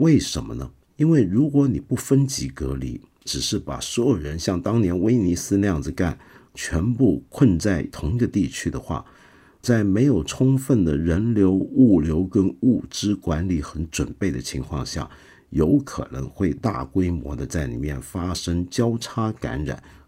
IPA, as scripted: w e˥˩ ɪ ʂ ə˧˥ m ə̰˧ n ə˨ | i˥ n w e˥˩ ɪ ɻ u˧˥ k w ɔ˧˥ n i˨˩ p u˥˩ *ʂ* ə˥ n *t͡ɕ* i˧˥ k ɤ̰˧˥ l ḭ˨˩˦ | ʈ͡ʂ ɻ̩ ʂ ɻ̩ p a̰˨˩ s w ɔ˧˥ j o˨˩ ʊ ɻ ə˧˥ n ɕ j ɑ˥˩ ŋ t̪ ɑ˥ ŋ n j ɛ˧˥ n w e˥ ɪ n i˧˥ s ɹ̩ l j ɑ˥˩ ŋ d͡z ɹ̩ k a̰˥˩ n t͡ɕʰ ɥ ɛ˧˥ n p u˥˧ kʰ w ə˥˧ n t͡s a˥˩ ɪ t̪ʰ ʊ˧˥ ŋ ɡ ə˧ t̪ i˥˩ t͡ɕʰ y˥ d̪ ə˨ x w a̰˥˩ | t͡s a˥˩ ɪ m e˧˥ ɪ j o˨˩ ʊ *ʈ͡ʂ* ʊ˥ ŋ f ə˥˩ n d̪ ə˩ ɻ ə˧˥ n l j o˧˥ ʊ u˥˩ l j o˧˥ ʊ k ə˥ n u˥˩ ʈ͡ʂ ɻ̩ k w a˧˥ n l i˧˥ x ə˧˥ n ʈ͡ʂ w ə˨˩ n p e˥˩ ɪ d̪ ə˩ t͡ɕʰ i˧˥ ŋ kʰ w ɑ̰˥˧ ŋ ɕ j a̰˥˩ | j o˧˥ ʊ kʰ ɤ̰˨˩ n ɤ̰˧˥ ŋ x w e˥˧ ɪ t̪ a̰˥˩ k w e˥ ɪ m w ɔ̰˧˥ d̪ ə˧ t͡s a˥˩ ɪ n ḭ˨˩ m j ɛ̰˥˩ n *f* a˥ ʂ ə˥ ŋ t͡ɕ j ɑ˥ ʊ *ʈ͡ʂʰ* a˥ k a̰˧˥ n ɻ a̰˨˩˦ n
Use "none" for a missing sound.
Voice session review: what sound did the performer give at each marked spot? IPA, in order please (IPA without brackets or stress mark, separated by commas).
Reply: f, t͡ɕ, ʈ͡ʂʰ, f, ʈ͡ʂʰ